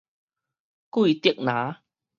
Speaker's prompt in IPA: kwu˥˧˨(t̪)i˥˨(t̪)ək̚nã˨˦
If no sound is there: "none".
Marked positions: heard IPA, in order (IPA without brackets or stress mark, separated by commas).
t̪, none